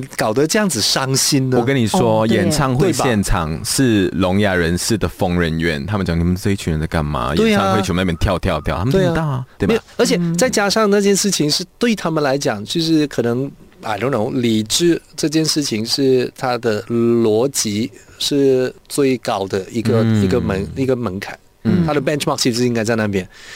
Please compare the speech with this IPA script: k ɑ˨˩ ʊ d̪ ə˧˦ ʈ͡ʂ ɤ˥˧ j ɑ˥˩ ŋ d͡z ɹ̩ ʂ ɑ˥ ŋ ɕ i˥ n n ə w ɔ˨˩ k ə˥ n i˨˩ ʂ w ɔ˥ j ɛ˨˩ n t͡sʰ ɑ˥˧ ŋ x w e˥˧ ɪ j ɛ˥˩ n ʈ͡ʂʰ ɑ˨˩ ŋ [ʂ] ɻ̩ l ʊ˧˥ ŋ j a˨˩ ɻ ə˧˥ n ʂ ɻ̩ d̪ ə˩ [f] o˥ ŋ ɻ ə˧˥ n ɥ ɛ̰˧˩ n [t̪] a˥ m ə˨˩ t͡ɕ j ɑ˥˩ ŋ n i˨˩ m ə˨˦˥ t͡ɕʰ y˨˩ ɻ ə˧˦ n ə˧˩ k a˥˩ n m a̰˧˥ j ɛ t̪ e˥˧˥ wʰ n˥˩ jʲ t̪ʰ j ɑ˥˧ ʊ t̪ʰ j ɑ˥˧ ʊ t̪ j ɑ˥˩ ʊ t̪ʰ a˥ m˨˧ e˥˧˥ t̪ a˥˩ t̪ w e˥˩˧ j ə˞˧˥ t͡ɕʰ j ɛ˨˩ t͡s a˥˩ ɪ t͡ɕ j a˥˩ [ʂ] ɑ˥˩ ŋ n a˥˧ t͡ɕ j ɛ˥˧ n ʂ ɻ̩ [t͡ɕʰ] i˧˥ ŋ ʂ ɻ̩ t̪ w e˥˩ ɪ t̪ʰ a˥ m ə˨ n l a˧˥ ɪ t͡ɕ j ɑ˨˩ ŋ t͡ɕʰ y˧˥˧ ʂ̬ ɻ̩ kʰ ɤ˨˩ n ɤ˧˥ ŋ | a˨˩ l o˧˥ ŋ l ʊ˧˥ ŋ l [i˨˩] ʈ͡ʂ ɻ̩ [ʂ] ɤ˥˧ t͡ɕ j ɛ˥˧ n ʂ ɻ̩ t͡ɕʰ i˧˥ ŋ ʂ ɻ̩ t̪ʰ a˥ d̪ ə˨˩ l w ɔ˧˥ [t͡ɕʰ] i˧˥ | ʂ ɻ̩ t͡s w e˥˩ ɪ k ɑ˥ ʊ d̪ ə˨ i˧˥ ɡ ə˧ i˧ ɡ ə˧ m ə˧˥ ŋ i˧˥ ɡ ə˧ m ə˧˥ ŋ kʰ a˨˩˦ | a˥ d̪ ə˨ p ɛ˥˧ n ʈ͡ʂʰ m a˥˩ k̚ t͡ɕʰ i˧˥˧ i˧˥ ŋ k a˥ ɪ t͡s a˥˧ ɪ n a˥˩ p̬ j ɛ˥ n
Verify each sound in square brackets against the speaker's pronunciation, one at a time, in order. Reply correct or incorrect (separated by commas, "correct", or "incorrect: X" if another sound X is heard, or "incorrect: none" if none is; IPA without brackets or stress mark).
correct, correct, incorrect: t̪ʰ, correct, correct, correct, incorrect: ʈ͡ʂ, incorrect: t͡ɕ